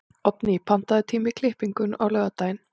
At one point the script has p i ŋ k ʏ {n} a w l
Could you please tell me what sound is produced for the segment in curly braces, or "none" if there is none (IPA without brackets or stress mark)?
n